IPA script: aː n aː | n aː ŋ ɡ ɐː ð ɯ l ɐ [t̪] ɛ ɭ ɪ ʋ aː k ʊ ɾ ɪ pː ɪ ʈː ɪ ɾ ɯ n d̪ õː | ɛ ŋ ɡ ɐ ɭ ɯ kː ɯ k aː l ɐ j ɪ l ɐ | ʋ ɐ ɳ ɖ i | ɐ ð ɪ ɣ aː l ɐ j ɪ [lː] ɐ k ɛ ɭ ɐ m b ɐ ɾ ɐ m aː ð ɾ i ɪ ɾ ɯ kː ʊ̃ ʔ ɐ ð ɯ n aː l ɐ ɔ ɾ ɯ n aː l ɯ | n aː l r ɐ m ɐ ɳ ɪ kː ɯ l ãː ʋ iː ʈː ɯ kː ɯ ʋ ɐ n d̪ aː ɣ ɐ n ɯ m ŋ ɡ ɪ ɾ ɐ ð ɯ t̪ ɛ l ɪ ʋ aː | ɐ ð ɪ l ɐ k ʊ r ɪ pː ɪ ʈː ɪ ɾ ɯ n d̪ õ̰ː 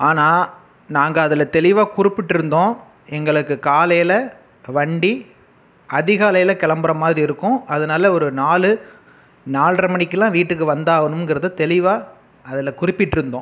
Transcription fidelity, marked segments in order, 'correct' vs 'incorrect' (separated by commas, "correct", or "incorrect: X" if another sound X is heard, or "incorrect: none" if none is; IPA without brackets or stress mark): correct, incorrect: l